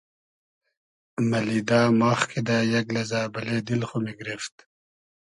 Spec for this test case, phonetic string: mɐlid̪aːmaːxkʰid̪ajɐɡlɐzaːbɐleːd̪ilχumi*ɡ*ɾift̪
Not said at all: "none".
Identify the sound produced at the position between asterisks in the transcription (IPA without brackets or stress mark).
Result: ɡ